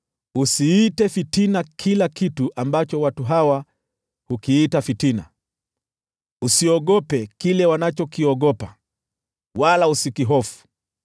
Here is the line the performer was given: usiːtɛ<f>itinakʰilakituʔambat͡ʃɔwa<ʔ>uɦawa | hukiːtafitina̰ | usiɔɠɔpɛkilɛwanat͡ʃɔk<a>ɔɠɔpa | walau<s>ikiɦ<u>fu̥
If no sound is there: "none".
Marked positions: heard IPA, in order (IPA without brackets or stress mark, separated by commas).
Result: f, t, i, s, ɔ